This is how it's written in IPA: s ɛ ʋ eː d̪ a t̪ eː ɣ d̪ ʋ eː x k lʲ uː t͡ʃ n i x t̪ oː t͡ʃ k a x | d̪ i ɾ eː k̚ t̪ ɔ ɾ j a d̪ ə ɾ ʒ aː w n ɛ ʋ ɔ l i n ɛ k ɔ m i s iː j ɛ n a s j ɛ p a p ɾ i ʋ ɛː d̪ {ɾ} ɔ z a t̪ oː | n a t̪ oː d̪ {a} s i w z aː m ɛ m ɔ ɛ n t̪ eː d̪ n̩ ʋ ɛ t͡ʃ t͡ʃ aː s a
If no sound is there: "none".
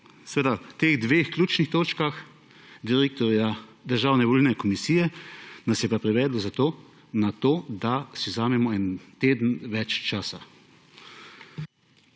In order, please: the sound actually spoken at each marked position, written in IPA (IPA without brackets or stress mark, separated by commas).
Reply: l, a